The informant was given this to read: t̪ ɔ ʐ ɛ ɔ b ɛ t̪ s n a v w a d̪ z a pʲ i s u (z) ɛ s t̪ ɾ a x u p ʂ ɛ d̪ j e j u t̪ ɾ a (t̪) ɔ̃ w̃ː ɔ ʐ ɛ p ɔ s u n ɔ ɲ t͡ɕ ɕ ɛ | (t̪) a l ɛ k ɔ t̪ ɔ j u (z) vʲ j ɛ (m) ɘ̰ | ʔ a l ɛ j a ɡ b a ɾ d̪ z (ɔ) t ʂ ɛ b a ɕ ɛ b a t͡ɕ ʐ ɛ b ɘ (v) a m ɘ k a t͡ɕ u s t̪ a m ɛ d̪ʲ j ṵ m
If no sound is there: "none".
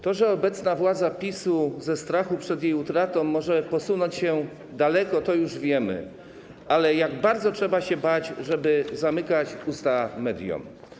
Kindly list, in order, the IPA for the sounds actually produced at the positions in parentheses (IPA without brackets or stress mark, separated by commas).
z, t̪, d̪, ʐ, m, ɔ, z